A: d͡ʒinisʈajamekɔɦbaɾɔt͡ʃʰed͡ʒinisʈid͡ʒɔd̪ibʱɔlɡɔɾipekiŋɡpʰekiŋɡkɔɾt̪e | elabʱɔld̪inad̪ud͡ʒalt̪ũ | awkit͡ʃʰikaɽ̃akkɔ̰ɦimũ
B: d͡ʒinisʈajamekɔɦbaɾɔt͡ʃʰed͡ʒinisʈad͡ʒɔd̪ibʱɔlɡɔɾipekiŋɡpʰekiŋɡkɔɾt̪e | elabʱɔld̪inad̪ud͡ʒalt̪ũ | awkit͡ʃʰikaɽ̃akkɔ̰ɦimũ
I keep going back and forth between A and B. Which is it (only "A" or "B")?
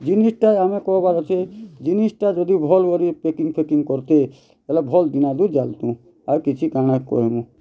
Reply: B